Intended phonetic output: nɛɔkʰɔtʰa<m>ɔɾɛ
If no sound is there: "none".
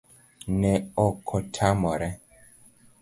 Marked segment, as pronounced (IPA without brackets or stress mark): m